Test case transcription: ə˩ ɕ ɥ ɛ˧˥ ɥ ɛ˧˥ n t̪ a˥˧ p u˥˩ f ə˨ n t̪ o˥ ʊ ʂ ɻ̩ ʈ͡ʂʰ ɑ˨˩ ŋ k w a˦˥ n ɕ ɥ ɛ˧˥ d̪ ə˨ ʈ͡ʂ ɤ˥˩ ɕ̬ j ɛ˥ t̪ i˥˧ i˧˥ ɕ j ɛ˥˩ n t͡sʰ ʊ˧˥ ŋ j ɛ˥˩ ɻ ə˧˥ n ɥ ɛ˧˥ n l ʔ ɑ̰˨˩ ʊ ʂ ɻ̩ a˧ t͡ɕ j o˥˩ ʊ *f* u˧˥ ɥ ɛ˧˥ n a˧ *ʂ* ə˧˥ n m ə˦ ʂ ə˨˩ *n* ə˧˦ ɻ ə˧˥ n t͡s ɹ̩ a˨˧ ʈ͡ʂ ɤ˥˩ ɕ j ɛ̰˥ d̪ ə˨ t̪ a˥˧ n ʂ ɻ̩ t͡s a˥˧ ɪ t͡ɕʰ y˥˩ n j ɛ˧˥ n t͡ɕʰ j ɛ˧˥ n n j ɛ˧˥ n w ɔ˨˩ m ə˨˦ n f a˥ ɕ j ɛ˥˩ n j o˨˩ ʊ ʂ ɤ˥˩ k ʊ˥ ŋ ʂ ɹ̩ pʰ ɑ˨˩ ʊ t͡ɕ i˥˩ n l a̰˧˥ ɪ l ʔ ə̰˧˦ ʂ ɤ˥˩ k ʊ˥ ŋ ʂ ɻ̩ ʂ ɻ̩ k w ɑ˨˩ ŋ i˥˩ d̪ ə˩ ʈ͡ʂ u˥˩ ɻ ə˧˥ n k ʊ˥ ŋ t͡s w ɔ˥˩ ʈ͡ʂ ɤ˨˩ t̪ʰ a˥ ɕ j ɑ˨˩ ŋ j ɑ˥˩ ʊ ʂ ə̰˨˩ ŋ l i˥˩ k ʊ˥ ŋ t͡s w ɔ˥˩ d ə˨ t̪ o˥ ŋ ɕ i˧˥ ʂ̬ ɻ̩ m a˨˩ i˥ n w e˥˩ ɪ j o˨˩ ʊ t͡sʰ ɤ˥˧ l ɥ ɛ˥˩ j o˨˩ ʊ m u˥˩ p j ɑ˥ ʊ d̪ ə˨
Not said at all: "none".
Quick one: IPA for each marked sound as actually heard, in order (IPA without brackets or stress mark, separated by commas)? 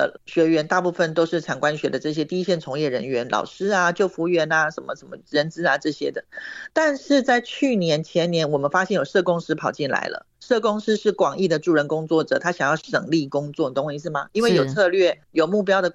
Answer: f, ʂ, m